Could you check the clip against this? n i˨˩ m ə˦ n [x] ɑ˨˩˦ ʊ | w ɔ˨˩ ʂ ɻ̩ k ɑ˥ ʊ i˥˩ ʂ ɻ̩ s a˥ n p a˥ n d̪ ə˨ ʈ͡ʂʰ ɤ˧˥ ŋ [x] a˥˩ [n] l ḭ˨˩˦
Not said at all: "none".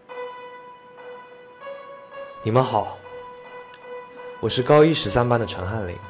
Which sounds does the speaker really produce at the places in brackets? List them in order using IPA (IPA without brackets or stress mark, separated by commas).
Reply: x, x, n